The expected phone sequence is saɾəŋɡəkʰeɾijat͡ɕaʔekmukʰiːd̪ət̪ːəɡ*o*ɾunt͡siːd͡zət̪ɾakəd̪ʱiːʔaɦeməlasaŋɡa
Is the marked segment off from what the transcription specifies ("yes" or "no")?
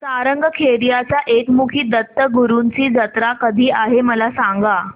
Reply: yes